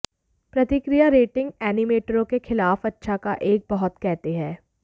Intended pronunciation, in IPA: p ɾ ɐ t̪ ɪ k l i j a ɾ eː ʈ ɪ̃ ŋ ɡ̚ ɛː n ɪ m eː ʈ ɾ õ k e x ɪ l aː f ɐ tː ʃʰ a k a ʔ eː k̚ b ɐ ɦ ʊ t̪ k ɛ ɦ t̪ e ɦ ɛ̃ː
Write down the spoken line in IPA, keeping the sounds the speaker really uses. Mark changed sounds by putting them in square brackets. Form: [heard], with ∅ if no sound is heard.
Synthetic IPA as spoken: p ɾ ɐ t̪ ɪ k [ɾ] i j a ɾ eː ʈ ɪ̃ ŋ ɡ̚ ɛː n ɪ m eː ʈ ɾ õ k e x ɪ l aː f ɐ tː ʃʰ a k a ʔ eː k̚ b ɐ ɦ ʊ t̪ k ɛ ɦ t̪ e ɦ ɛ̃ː